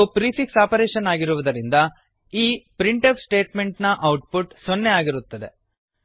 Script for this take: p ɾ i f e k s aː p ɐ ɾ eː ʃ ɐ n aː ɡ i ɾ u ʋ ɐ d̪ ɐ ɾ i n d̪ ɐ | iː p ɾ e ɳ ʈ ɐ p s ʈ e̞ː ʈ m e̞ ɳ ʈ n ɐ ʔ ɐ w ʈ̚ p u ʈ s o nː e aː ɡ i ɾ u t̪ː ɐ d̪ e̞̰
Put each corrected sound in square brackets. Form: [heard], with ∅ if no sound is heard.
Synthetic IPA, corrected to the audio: p ɾ i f [i] k s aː p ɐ ɾ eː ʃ ɐ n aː ɡ i ɾ u ʋ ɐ d̪ ɐ ɾ i n d̪ ɐ | iː p ɾ [i] ɳ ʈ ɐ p s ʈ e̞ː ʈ m e̞ ɳ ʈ n ɐ ʔ ɐ w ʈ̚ p u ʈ s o nː e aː ɡ i ɾ u t̪ː ɐ d̪ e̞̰